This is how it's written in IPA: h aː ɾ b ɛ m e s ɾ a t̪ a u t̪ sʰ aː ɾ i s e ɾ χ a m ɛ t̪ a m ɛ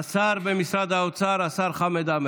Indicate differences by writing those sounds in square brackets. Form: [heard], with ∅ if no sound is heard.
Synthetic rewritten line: [s] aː ɾ b ɛ m [i] s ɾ a [d̪] a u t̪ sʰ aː ɾ [a] s [a] ɾ χ a m ɛ [d̪] a m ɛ